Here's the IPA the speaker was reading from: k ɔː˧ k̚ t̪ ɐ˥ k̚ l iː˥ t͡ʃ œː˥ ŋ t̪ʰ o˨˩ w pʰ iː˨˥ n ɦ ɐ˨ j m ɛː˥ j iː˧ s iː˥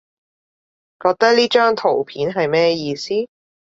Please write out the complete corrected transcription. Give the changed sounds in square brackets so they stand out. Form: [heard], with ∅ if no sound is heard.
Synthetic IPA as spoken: k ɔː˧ k̚ t̪ ɐ˥ k̚ l iː˥ t͡ʃ œː˥ ŋ t̪ʰ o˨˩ w pʰ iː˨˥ n ɦ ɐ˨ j m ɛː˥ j iː˧ s iː˥

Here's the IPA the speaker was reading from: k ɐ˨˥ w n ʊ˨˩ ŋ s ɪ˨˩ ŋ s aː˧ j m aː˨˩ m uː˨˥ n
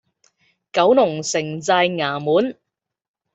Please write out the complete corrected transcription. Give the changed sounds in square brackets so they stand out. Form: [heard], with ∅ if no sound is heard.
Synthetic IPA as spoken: k ɐ˨˥ w n ʊ˨˩ ŋ s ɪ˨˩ ŋ [t͡s] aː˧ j [ŋ] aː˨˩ m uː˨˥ n

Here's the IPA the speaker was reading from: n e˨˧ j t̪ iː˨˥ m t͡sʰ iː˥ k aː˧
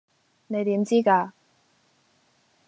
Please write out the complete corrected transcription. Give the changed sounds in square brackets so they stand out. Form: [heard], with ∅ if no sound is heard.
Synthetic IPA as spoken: n e˨˧ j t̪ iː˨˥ m [t͡s] iː˥ k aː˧

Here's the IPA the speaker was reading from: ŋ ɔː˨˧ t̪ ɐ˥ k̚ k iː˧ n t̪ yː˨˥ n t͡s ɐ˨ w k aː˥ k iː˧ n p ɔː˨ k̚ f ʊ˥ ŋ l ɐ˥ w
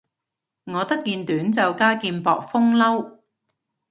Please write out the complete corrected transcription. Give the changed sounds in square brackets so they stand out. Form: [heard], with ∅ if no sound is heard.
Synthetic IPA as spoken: ŋ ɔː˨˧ t̪ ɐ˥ k̚ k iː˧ n t̪ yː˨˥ n t͡s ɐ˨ w k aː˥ k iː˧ n p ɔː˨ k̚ f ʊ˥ ŋ l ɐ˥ w

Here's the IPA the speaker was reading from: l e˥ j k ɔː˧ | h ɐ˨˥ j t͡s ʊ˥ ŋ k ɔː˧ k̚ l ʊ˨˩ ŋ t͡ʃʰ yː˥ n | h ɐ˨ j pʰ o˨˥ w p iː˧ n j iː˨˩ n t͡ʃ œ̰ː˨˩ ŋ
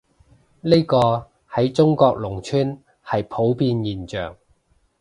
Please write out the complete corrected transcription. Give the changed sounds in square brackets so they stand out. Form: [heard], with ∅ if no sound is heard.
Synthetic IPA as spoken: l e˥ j k ɔː˧ | h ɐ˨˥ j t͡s ʊ˥ ŋ k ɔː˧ k̚ l ʊ˨˩ ŋ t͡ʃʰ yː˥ n | h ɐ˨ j pʰ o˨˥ w p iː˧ n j iː˨˩ n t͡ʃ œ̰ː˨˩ ŋ

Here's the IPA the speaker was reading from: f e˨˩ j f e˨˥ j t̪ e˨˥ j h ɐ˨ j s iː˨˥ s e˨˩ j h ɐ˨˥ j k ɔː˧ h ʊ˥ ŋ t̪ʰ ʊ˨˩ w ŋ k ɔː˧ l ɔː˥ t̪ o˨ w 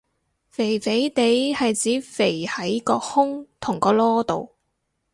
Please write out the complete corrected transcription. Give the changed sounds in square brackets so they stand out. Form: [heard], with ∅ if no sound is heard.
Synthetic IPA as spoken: f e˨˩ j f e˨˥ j t̪ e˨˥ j h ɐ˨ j [t͡s] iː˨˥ [f] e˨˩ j h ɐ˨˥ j k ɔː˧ h ʊ˥ ŋ t̪ʰ ʊ˨˩ [∅] ŋ k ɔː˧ l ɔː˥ t̪ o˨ w

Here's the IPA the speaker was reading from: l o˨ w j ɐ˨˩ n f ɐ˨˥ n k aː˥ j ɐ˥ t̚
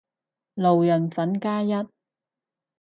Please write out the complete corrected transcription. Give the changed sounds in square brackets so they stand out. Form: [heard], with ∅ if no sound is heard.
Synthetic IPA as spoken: l o˨ w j ɐ˨˩ n f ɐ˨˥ n k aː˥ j ɐ˥ t̚

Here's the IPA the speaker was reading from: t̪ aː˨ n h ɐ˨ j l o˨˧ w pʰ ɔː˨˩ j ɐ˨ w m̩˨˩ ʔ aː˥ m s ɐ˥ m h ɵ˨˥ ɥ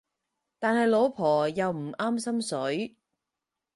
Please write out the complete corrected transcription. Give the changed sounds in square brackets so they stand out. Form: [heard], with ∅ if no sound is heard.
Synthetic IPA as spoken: t̪ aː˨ n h ɐ˨ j l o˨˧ w pʰ ɔː˨˩ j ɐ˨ w m̩˨˩ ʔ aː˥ m s ɐ˥ m [s] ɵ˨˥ ɥ

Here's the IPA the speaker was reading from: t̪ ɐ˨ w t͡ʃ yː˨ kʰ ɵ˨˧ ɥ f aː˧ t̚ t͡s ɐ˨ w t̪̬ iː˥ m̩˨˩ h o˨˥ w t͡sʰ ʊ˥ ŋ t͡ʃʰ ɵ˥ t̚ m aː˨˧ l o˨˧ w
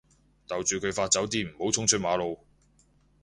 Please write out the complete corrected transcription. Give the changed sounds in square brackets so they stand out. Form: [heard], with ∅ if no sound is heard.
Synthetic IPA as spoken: t̪ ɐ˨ w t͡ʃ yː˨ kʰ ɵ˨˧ ɥ f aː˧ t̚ t͡s [ɐ˨˥] w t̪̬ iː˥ m̩˨˩ h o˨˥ w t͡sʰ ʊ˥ ŋ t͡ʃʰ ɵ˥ t̚ m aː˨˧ l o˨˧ w

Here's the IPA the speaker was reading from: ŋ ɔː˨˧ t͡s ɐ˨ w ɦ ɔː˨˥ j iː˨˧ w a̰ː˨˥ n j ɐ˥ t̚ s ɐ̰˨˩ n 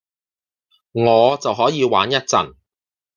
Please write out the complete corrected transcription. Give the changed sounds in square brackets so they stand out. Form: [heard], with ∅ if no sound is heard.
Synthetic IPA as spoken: ŋ ɔː˨˧ t͡s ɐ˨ w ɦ ɔː˨˥ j iː˨˧ w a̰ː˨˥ n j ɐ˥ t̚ [t͡s] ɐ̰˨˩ n

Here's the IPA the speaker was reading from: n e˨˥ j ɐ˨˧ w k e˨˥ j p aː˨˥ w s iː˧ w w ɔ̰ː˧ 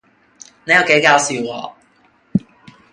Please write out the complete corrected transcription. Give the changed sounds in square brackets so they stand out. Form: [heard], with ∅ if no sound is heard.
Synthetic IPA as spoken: n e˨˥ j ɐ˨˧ w k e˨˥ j [k] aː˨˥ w s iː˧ w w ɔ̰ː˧

